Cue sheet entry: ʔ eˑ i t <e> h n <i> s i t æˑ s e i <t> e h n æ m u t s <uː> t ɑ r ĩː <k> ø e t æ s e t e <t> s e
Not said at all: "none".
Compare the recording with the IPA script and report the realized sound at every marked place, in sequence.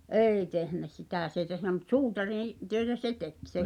e, æ, t, uː, t, k

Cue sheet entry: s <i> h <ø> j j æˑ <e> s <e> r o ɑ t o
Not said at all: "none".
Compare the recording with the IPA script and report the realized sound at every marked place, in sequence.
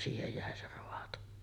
iː, e, e, e

